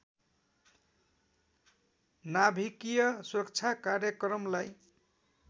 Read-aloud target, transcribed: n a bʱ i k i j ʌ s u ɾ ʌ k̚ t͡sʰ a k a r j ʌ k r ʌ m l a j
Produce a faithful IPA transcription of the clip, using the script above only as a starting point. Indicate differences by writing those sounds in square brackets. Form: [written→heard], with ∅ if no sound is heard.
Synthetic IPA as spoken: n a bʱ i k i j ʌ s u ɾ ʌ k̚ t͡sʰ a k a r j ʌ k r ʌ m l a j